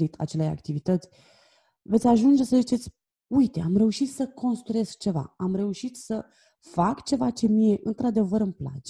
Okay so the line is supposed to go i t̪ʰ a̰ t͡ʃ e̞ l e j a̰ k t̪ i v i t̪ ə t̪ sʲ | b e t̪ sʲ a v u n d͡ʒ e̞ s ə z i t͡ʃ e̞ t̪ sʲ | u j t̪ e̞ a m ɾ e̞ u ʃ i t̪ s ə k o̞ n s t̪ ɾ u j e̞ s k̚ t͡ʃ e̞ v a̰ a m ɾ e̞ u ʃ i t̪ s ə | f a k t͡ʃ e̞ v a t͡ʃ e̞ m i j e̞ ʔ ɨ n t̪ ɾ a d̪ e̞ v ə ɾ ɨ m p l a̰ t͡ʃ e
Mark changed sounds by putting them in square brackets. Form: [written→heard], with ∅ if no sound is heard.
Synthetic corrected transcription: i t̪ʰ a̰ t͡ʃ e̞ l e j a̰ k t̪ i v i t̪ ə t̪ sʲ | [b→v] e t̪ sʲ a [v→ʒ] u n d͡ʒ e̞ s ə z i t͡ʃ e̞ t̪ sʲ | u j t̪ e̞ a m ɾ e̞ u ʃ i t̪ s ə k o̞ n s t̪ ɾ u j e̞ s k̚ t͡ʃ e̞ v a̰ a m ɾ e̞ u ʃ i t̪ s ə | f a k t͡ʃ e̞ v a t͡ʃ e̞ m i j e̞ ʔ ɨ n t̪ ɾ a d̪ e̞ v ə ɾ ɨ m p l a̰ t͡ʃ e